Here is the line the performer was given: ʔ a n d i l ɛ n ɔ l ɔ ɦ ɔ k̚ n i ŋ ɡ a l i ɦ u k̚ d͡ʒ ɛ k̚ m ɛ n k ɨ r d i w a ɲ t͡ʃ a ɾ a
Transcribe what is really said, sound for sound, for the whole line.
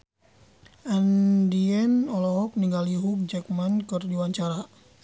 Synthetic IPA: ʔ a n d i ɛ n ɔ l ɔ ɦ ɔ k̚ n i ŋ ɡ a l i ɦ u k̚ d͡ʒ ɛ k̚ m a n k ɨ r d i w a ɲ t͡ʃ a ɾ a